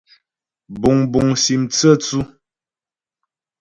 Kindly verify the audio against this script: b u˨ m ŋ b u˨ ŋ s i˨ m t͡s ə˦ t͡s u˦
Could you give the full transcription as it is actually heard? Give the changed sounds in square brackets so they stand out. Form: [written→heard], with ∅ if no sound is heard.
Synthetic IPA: b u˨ [m→∅] ŋ b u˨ ŋ s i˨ m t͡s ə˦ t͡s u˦